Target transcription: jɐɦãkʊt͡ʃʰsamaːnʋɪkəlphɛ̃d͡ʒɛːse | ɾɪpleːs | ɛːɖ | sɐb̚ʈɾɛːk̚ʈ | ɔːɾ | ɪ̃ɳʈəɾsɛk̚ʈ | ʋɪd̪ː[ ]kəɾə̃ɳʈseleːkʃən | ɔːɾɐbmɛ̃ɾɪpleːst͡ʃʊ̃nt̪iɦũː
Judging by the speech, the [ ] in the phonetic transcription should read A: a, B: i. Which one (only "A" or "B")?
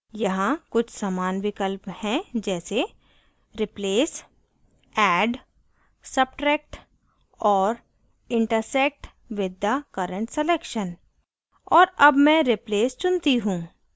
A